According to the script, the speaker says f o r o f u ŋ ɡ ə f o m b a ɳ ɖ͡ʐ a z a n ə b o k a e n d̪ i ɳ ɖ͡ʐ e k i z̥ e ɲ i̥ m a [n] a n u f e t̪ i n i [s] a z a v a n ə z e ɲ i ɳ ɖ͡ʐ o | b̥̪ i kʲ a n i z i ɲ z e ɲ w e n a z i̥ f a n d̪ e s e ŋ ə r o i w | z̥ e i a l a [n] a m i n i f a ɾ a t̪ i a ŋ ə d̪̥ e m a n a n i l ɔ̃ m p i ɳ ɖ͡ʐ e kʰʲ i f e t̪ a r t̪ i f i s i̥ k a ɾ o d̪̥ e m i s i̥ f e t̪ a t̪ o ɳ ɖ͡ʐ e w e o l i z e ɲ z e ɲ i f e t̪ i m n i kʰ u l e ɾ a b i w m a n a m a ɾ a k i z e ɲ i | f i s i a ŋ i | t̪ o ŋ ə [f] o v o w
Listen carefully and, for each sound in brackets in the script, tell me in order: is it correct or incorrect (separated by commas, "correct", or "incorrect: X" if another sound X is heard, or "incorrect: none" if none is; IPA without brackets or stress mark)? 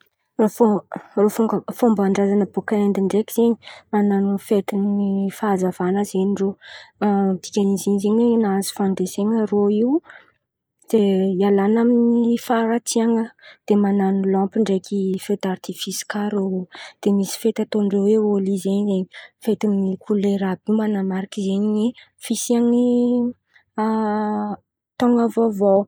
correct, incorrect: f, correct, incorrect: v